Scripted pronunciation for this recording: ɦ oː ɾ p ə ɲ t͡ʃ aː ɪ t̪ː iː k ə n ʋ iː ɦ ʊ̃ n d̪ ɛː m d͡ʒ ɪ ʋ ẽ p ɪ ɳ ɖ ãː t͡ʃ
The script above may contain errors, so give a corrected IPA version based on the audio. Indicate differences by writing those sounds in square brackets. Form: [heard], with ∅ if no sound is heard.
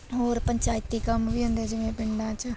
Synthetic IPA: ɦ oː ɾ p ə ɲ t͡ʃ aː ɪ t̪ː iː k ə [m] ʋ iː ɦ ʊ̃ n d̪ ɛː [∅] d͡ʒ ɪ ʋ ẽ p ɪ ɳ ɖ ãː t͡ʃ